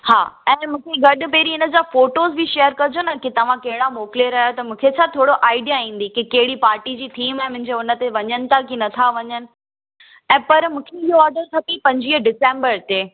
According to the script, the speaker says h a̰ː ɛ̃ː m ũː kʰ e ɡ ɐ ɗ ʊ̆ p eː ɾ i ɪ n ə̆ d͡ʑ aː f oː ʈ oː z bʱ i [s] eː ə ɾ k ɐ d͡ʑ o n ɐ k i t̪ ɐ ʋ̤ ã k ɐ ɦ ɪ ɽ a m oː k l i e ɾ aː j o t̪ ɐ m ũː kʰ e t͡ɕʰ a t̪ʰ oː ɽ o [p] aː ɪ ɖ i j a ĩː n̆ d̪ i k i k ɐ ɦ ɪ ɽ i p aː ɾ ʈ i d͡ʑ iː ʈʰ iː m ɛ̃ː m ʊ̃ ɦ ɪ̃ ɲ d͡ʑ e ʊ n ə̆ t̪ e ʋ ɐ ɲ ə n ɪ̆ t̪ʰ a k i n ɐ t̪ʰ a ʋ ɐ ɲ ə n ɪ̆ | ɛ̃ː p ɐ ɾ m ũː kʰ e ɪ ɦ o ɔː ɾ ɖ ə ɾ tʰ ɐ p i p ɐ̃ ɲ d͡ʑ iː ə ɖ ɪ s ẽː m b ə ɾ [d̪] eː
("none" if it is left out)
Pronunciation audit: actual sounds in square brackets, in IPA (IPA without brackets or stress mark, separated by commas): ʃ, ʔ, t̪